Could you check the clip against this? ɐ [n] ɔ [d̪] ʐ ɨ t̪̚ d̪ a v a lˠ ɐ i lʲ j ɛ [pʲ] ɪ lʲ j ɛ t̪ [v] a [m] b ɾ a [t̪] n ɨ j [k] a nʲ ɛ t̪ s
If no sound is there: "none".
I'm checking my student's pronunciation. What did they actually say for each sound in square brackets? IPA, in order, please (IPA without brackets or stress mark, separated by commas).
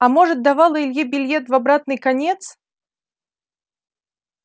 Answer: m, none, bʲ, v, none, t̪, k